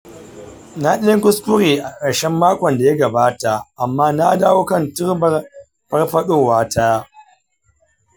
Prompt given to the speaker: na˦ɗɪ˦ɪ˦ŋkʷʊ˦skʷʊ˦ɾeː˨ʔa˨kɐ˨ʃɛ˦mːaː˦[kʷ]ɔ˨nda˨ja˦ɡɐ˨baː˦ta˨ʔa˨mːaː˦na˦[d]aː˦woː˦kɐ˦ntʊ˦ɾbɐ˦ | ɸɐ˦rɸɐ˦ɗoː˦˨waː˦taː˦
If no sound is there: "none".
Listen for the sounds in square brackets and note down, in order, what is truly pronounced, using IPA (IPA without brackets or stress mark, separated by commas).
kʷ, d